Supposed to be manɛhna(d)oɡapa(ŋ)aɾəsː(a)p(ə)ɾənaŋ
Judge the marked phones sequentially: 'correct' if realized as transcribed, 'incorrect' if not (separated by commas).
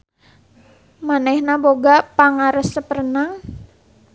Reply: incorrect, correct, incorrect, correct